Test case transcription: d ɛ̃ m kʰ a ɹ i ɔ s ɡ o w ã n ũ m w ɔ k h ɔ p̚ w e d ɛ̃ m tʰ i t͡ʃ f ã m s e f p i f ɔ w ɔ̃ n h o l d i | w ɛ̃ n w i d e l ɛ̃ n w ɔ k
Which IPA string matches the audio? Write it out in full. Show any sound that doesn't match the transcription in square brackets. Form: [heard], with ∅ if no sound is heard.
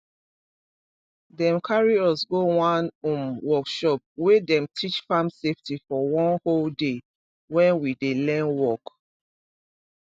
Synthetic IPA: d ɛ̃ m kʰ a ɹ i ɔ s ɡ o w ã n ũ m w ɔ k [ʃ] ɔ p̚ w e d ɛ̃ m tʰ i t͡ʃ f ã m s e f [t] i f ɔ w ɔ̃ n h o l d [e] | w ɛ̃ n w i d e l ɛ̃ n w ɔ k